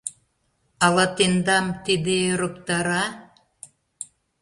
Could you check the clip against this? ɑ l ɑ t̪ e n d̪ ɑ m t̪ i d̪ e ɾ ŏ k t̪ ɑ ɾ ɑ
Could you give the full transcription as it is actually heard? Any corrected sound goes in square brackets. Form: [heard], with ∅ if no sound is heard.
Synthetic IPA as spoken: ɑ l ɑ t̪ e n d̪ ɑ m t̪ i d̪ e ɾ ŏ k t̪ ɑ ɾ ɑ